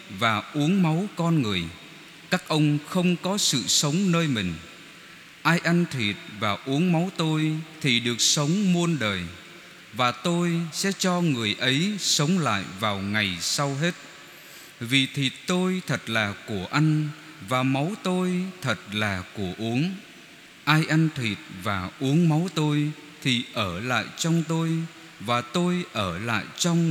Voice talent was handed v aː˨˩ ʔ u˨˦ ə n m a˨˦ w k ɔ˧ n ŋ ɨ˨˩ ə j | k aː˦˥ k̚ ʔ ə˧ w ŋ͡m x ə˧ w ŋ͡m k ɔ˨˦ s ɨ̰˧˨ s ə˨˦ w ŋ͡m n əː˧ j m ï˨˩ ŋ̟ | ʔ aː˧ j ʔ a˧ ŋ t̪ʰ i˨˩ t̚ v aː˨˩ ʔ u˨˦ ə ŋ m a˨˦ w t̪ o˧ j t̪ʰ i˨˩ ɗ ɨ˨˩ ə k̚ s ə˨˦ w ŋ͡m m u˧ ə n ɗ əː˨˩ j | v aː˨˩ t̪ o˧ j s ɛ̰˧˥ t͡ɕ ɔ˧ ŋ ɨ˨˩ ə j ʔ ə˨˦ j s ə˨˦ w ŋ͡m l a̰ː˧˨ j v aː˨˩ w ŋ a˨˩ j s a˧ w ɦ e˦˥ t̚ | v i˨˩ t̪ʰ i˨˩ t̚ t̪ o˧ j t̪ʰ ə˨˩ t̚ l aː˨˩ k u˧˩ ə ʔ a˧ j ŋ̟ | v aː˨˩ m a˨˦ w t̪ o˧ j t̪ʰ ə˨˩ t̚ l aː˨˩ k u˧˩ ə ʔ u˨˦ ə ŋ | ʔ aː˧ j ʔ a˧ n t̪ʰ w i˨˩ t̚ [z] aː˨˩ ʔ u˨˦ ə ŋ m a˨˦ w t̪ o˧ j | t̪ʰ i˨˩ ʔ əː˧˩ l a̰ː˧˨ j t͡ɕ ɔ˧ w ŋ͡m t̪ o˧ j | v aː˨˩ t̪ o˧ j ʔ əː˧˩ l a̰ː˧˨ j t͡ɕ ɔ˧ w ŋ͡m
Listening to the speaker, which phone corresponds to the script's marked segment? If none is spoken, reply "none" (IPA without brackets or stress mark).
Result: v